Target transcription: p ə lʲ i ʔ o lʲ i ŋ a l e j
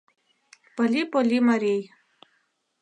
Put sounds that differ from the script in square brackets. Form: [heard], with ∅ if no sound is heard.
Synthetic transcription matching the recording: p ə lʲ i [p] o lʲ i [m] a [ɾ] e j